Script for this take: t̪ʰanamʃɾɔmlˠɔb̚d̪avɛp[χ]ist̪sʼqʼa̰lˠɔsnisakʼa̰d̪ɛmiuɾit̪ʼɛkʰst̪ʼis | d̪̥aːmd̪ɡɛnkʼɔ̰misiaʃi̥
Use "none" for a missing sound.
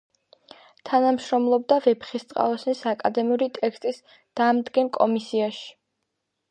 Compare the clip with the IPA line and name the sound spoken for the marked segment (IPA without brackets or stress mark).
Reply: χ